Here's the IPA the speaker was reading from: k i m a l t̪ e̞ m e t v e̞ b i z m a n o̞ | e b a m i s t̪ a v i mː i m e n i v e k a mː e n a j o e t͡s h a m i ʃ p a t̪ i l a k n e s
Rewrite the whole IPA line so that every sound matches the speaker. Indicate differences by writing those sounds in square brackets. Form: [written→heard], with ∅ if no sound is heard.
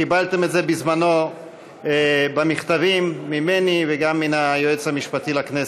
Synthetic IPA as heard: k i [m→b] a l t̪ e̞ m e t [v→z] e̞ b i z m a n o̞ | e b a m i [s→χ] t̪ a v i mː i m e n i v e [k→ɡ] a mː [e→i] n a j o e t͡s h a m i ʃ p a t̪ i l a k n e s